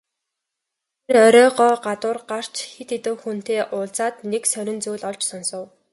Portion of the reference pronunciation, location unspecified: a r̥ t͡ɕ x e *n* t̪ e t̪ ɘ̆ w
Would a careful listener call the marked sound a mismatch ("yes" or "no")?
yes